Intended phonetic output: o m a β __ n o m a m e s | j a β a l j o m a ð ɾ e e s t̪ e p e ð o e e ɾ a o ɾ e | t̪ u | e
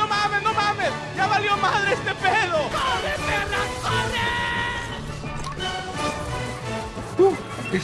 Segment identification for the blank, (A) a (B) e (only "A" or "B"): B